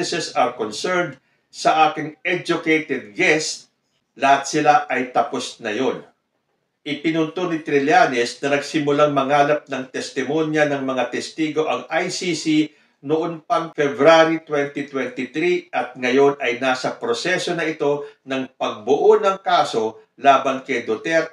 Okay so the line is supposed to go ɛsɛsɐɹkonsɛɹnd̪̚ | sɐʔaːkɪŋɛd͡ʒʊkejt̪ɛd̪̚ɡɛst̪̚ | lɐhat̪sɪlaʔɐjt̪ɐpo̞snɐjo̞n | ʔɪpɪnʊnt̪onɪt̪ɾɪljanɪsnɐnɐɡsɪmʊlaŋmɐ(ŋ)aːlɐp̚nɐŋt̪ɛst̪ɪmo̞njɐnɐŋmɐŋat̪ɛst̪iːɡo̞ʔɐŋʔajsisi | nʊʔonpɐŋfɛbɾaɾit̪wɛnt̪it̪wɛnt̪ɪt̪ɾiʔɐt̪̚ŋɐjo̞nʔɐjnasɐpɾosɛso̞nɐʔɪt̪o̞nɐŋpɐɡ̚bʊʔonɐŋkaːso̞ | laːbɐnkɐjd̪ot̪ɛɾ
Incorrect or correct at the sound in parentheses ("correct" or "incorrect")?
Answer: correct